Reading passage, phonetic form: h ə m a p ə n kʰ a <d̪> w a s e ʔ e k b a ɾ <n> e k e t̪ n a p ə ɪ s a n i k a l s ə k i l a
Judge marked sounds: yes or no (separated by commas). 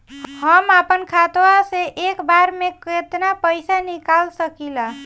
no, no